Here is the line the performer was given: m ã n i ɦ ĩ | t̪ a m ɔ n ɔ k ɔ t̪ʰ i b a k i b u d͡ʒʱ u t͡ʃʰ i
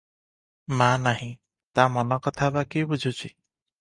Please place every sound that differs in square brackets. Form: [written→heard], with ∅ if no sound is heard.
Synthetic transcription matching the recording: m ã n [i→a] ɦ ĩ | t̪ a m ɔ n ɔ k ɔ t̪ʰ [i→a] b a k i b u d͡ʒʱ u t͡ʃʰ i